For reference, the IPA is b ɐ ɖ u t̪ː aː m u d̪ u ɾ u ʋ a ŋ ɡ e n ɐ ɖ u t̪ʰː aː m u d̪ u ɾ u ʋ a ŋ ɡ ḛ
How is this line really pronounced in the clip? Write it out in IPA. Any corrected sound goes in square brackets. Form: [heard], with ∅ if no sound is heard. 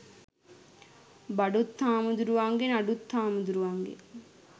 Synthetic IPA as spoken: b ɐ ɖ u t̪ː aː m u d̪ u ɾ u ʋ a ŋ ɡ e n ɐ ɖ u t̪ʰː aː m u d̪ u ɾ u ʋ a ŋ ɡ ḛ